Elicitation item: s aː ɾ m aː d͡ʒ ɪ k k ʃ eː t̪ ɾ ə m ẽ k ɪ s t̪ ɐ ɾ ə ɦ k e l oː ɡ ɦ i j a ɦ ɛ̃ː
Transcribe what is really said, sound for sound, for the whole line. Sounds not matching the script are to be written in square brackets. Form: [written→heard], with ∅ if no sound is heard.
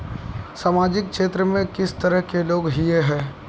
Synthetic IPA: s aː [ɾ→∅] m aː d͡ʒ ɪ k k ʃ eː t̪ ɾ ə m ẽ k ɪ s t̪ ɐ ɾ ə ɦ k e l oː ɡ ɦ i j [a→e] ɦ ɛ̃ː